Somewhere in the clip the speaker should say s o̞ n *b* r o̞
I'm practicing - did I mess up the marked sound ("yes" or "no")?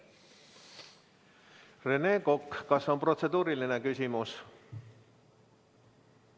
yes